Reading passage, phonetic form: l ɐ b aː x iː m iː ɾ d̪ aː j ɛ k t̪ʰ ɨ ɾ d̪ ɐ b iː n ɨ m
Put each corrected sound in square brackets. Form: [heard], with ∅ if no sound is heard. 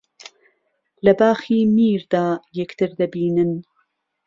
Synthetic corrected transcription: l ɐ b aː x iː m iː ɾ d̪ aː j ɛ k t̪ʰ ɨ ɾ d̪ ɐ b iː n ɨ [n]